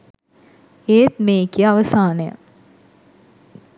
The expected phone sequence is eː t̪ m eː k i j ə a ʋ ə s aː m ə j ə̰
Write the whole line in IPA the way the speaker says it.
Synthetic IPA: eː t̪ m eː k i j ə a ʋ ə s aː n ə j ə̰